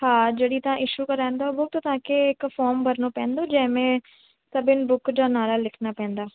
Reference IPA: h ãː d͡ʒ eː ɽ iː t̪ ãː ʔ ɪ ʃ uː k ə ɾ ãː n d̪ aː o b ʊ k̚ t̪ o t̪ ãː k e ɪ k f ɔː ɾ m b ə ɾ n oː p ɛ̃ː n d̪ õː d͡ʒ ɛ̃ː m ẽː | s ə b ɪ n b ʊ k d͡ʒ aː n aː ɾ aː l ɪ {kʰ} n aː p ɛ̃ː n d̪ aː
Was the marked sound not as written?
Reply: no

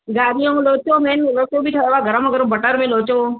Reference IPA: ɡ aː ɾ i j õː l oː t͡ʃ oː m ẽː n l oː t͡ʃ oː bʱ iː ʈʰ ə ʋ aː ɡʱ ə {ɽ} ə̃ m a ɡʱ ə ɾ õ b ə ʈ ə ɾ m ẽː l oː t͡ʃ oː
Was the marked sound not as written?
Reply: yes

